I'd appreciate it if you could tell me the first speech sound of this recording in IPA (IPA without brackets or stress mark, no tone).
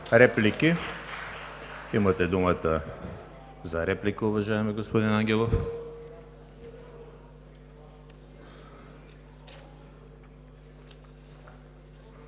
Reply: ɾ